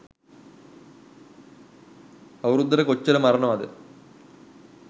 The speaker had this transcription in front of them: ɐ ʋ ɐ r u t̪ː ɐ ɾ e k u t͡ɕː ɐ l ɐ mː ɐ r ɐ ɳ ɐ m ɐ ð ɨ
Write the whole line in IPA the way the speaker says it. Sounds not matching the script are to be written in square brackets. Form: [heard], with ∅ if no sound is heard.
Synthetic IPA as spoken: ɐ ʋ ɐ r u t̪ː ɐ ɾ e k [o] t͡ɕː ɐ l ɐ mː ɐ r ɐ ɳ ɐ m ɐ ð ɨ